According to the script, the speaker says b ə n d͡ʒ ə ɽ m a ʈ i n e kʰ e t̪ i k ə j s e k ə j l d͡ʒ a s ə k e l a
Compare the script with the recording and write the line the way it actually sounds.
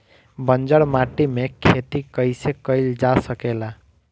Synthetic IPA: b ə n d͡ʒ ə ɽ m a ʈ i m e kʰ e t̪ i k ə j s e k ə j l d͡ʒ a s ə k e l a